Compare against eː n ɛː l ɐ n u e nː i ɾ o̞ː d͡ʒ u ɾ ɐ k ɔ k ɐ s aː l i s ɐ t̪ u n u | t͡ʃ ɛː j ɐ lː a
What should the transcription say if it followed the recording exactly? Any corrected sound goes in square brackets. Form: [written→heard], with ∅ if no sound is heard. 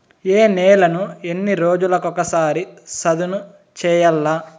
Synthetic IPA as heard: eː n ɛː l ɐ n u e nː i ɾ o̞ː d͡ʒ u [ɾ→l] ɐ k ɔ k ɐ s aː [l→ɾ] i s ɐ [t̪→d̪] u n u | t͡ʃ ɛː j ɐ lː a